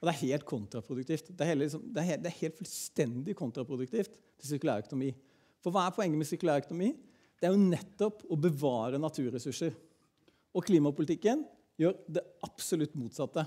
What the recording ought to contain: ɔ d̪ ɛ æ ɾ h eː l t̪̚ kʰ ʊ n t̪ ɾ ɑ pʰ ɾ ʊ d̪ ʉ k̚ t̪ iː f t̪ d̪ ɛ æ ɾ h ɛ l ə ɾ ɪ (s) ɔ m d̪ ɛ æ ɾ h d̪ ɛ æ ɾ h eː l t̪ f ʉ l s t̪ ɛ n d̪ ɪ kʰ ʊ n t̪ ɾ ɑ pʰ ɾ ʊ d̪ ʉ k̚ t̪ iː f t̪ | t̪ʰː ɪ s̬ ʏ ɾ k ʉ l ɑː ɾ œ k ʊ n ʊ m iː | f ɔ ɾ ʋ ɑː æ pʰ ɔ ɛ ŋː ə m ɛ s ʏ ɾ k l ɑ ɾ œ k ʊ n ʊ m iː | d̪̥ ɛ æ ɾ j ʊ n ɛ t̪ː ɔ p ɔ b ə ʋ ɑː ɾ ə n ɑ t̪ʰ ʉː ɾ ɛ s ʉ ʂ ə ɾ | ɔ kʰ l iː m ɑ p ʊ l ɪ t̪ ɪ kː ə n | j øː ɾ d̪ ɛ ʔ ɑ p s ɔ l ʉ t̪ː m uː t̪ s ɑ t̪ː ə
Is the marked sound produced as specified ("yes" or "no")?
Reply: yes